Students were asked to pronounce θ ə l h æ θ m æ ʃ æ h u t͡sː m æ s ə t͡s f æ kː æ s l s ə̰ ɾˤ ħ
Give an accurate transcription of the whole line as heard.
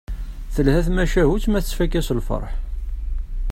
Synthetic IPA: θ ə l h æ θ m æ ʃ æ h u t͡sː m æ θ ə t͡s f æ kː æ s l f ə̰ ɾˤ ħ